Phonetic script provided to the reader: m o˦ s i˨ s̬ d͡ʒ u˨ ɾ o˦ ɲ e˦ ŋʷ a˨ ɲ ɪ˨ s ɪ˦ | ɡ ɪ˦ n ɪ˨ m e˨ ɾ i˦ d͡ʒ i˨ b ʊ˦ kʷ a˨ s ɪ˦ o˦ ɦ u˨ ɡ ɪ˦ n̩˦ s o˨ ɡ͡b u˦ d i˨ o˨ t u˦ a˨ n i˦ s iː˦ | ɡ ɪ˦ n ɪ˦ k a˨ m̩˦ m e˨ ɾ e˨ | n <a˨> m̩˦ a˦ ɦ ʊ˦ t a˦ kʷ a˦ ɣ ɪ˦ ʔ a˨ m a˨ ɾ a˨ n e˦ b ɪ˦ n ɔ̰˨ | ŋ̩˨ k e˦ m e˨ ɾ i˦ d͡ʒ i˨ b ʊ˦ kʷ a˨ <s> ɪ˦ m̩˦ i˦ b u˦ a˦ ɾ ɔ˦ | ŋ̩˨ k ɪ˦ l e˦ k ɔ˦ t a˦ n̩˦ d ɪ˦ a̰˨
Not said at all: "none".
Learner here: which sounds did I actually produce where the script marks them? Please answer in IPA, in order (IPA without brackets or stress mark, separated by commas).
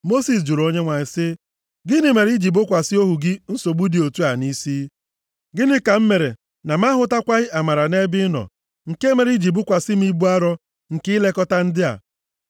a˨, s